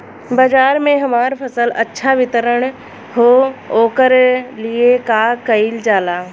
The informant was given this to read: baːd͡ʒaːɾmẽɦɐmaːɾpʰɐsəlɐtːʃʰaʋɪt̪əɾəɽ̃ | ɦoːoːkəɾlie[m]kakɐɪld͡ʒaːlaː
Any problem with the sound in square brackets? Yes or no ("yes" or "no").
yes